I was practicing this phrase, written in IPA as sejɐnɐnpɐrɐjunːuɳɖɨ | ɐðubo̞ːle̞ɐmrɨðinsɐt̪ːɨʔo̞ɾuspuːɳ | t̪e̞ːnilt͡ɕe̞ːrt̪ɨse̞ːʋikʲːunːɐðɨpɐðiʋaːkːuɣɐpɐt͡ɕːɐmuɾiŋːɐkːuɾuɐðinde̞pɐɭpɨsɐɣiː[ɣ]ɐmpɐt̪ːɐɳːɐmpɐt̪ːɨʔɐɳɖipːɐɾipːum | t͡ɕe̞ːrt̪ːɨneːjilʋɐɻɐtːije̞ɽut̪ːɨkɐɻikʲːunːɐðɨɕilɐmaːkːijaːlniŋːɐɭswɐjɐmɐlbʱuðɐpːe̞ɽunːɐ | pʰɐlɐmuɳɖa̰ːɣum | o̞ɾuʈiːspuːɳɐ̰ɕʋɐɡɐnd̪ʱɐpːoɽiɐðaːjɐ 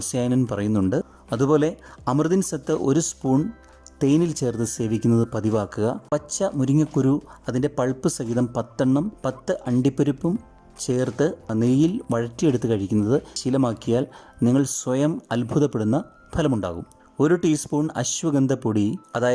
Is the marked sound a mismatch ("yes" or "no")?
yes